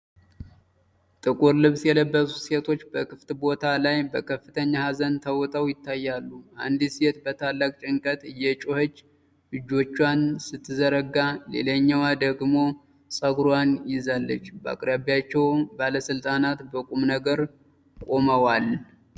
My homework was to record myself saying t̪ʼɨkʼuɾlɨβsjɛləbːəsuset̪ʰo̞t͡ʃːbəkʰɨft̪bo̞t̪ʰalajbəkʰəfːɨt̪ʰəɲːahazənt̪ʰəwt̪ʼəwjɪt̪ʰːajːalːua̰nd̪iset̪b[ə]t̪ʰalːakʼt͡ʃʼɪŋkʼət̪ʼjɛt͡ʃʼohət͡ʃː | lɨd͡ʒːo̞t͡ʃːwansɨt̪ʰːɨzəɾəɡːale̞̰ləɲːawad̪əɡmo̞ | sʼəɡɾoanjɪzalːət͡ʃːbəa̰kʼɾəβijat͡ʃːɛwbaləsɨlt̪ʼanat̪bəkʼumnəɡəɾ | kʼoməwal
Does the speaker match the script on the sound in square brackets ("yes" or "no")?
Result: yes